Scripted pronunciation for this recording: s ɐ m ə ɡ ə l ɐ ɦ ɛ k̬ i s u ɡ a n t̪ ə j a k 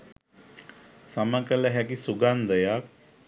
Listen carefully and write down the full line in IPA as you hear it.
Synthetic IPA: s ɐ m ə k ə l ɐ ɦ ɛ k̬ i s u ɡ a n d̪ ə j a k